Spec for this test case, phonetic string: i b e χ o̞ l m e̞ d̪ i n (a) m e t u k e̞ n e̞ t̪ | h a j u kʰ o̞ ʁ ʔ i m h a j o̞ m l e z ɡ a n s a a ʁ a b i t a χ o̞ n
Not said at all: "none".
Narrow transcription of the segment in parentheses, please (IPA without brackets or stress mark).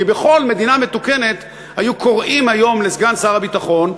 a